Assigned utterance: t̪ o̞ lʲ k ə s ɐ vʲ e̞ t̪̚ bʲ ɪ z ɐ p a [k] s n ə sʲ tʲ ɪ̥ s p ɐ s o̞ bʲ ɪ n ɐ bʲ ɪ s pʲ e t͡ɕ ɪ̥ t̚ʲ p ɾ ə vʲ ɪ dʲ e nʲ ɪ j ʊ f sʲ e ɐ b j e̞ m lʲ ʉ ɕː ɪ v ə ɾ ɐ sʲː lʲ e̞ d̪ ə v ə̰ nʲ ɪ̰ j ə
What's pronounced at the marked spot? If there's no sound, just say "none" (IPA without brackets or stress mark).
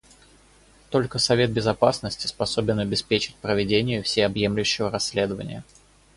none